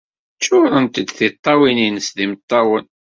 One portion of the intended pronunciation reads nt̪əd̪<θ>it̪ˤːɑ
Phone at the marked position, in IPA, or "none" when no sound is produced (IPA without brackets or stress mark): θ